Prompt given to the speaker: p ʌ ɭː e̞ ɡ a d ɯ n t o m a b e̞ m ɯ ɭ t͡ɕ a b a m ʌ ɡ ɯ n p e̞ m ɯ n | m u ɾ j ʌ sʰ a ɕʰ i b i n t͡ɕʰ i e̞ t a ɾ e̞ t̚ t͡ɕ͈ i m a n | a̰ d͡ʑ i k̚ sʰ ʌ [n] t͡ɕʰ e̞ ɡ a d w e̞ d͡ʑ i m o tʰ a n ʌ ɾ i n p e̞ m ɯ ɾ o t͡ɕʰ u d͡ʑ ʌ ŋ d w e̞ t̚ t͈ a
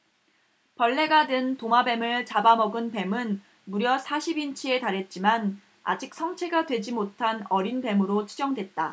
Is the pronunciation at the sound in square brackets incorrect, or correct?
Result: incorrect